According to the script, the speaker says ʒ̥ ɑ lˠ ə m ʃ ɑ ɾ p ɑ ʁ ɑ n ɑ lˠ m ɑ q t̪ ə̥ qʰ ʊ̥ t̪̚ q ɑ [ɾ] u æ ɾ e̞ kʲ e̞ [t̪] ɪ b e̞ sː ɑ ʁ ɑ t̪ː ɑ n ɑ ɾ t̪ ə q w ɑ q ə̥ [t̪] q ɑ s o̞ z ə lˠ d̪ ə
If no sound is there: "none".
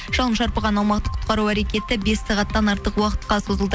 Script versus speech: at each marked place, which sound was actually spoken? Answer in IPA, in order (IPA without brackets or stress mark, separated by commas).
ɾ, t̪, t̪